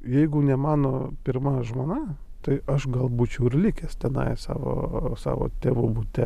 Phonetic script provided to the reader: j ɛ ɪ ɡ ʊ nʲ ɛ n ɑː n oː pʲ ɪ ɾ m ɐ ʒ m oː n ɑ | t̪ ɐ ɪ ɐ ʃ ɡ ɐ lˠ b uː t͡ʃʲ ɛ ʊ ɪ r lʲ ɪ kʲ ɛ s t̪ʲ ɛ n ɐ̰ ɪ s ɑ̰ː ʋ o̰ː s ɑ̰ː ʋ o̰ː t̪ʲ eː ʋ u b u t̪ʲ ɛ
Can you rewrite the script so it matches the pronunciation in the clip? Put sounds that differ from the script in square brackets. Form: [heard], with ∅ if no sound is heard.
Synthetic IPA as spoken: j ɛ ɪ ɡ ʊ nʲ ɛ [m] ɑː n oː pʲ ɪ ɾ m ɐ ʒ m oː n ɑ | t̪ ɐ ɪ ɐ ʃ ɡ ɐ lˠ b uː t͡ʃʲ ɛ ʊ ɪ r lʲ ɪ kʲ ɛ s t̪ʲ ɛ n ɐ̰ ɪ s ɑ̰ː ʋ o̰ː s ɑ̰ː ʋ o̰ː t̪ʲ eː ʋ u b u t̪ʲ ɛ